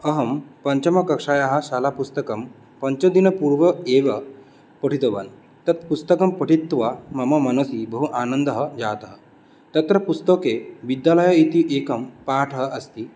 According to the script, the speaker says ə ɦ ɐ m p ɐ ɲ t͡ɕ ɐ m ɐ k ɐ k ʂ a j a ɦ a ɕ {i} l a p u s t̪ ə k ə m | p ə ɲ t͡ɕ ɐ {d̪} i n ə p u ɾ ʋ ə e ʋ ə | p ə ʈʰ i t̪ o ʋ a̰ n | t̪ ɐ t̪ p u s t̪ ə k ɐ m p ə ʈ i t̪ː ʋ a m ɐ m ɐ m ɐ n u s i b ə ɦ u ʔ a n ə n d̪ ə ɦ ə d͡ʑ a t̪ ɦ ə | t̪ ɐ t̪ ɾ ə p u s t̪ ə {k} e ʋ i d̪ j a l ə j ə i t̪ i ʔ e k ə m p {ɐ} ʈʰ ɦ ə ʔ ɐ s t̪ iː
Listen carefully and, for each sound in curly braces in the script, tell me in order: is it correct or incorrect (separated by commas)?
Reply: incorrect, correct, correct, incorrect